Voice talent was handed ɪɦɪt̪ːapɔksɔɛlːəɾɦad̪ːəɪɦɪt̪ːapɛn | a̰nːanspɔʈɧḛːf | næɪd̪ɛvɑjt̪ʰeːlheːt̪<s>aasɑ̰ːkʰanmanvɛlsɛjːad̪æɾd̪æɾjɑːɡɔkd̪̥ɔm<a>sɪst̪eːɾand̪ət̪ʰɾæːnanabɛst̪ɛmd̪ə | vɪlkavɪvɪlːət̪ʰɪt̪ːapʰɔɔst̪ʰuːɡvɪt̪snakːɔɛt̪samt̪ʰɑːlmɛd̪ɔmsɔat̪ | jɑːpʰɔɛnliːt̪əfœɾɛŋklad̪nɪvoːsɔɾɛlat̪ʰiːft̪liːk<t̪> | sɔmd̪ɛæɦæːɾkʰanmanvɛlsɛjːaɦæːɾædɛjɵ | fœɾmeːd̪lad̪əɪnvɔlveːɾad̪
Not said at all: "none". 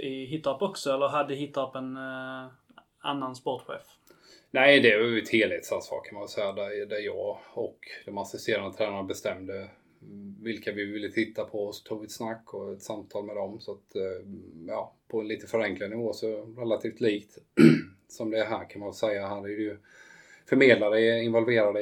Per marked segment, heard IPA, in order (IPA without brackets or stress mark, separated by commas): s, a, t̪